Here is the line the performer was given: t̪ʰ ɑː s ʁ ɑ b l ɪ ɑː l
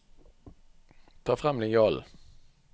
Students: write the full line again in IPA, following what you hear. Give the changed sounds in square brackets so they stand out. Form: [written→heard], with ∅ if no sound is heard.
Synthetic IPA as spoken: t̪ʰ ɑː [s→f] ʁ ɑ [b→m] l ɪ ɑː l